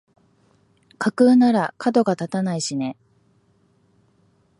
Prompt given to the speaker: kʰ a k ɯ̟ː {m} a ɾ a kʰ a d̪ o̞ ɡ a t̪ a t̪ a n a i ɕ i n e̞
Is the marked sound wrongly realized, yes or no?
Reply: yes